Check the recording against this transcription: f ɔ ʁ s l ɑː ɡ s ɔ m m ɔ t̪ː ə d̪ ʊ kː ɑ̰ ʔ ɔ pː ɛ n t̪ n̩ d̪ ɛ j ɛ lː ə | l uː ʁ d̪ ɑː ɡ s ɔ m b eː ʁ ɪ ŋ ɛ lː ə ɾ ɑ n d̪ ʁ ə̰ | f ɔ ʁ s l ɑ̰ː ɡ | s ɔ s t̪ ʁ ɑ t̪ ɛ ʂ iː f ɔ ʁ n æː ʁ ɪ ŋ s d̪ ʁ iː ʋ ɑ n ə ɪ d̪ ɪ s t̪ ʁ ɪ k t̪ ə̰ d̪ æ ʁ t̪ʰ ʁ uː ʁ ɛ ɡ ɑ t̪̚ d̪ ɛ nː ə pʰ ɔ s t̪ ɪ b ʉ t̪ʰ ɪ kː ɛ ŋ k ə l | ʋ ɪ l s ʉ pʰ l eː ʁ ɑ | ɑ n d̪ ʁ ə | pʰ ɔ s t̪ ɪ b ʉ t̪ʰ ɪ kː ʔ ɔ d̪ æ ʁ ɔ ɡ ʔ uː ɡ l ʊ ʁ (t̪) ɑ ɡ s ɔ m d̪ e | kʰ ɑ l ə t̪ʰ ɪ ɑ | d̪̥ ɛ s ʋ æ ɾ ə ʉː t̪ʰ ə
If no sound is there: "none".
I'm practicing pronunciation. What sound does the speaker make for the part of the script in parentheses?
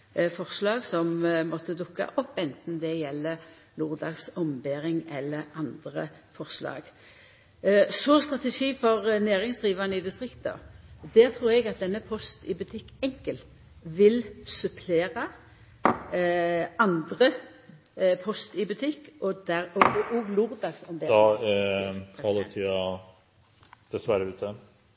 d̪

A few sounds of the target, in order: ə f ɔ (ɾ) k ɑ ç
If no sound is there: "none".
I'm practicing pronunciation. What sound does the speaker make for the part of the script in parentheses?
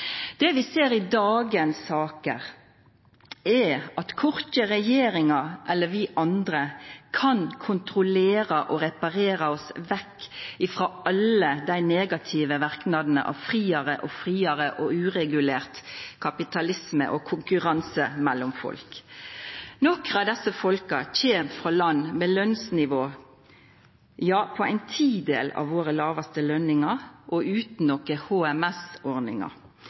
l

